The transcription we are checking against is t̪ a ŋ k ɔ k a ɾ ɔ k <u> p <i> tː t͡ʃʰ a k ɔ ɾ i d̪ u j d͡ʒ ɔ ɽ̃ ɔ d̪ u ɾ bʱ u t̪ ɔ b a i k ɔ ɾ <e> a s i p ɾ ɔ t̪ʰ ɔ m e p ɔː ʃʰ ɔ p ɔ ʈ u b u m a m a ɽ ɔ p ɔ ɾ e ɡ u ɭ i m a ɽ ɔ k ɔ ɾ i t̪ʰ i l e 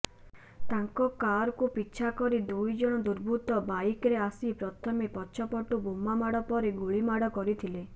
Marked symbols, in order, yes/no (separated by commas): yes, yes, yes